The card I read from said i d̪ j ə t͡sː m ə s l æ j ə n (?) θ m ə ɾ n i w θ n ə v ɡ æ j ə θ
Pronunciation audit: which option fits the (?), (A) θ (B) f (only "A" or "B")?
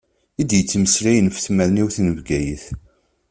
B